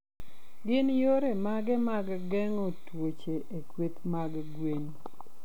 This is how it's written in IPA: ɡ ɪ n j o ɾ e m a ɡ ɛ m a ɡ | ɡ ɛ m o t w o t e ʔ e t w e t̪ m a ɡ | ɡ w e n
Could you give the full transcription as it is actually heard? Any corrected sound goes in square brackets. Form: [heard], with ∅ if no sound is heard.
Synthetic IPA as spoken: ɡ ɪ n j o ɾ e m a ɡ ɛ m a ɡ | ɡ ɛ [ŋ] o t w o [t͡ʃ] e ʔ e [k] w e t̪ m a ɡ | ɡ w e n